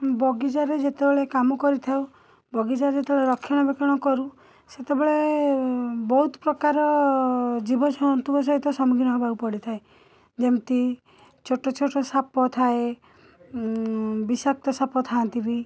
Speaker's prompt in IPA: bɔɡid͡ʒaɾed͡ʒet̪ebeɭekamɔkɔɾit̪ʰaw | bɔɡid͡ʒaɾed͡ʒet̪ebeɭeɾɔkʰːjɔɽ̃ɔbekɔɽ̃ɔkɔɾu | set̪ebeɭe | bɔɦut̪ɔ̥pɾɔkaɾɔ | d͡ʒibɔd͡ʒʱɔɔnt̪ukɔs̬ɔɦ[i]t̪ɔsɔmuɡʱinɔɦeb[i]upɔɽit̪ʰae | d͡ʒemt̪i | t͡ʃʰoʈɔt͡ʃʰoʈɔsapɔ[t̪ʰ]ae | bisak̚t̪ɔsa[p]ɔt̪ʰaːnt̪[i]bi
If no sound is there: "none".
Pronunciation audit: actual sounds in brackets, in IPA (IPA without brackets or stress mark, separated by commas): i, a, t̪ʰ, p, i